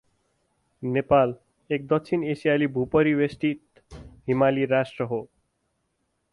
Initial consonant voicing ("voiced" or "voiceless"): voiced